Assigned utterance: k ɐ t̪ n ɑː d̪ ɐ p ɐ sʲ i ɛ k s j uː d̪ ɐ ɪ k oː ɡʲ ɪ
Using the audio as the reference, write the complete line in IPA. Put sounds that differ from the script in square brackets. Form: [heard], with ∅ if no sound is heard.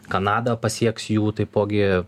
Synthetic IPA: k ɐ [∅] n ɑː d̪ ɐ p ɐ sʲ i ɛ k s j uː [t̪] ɐ ɪ [p] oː ɡʲ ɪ